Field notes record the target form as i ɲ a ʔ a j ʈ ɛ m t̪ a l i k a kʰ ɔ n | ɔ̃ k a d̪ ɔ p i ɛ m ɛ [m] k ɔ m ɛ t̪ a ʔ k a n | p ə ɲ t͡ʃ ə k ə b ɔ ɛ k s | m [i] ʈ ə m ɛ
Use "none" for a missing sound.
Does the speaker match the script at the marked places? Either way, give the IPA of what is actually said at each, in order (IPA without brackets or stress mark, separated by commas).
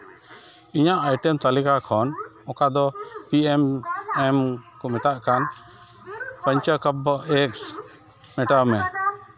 m, ɛ